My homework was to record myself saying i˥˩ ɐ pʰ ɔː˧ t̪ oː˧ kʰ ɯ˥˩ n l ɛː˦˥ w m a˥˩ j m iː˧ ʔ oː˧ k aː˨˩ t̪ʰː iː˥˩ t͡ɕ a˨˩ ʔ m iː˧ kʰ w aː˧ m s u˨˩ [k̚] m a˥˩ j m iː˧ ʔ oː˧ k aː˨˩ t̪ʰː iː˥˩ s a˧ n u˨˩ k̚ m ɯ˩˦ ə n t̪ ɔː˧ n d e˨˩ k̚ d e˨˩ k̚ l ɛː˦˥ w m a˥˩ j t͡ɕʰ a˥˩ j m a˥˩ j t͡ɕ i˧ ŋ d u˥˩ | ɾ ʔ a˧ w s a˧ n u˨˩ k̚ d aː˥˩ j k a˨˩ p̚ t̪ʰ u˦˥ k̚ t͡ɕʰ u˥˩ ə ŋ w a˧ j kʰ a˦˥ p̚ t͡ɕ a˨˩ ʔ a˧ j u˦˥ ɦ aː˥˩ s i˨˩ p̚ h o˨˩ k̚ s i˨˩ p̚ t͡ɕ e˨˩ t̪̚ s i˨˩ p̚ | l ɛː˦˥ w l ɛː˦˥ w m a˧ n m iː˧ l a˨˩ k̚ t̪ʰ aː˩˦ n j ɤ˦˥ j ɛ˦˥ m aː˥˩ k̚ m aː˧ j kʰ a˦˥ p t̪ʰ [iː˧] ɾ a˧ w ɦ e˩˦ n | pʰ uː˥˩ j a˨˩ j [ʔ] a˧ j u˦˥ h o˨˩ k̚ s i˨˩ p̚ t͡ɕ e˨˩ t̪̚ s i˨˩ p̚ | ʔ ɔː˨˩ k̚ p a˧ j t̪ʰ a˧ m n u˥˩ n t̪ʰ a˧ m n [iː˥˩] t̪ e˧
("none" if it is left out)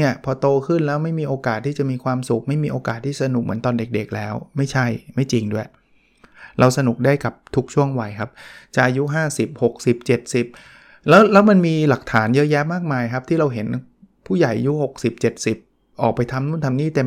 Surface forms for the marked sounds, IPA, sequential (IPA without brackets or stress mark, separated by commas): k̚, iː˥˩, ʔ, iː˥˩